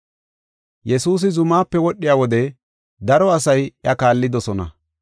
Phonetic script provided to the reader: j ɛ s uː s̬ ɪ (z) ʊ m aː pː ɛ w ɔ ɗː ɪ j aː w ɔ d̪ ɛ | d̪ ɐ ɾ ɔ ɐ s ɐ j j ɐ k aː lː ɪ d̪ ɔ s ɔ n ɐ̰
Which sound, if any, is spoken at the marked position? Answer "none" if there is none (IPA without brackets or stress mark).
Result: z